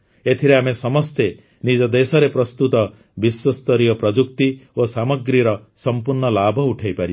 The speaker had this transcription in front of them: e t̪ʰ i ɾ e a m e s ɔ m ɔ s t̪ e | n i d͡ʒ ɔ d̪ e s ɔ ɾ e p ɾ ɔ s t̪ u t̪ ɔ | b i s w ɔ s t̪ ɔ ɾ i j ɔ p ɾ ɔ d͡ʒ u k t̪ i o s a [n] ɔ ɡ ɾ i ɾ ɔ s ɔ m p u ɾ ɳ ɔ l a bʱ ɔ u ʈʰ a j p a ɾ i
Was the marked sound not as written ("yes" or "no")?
yes